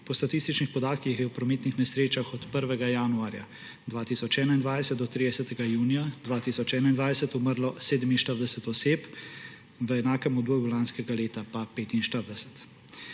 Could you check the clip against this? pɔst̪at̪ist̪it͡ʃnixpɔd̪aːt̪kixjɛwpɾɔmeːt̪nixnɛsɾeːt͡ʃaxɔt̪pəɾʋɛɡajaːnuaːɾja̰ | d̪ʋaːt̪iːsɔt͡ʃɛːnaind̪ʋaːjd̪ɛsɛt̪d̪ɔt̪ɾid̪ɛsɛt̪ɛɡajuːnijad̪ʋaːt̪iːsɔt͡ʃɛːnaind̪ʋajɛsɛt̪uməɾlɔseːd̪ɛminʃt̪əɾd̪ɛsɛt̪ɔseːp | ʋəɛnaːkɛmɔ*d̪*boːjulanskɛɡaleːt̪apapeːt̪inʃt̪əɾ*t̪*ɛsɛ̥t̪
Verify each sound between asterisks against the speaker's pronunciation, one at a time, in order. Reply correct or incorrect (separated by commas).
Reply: correct, incorrect